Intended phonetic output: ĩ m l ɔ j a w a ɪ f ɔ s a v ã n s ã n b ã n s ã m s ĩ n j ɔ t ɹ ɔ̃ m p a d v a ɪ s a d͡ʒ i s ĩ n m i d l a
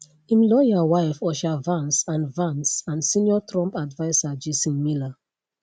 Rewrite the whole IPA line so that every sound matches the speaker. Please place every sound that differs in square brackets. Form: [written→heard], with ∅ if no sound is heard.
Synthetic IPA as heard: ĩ m l ɔ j a w a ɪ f ɔ [s→ʃ] a v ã n s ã n [b→v] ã n s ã [m→n] s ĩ n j ɔ t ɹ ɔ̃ m p a d v a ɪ s a d͡ʒ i s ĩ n m i [d→∅] l a